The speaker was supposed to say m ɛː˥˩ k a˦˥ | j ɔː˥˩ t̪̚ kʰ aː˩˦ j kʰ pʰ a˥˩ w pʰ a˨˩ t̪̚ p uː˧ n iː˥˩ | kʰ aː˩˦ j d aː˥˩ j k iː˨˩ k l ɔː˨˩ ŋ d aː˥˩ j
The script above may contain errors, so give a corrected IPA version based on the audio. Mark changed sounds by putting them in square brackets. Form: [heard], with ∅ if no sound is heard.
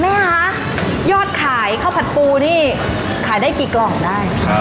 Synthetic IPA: m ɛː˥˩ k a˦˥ | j ɔː˥˩ t̪̚ kʰ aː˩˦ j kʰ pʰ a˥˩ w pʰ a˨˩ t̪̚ p uː˧ n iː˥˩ | kʰ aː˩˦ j d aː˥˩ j k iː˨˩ k l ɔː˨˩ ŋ d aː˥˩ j